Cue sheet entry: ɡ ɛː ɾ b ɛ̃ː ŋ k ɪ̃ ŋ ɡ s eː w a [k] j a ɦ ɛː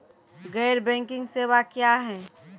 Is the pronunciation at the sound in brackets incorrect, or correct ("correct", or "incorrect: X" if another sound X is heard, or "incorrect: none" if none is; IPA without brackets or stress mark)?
correct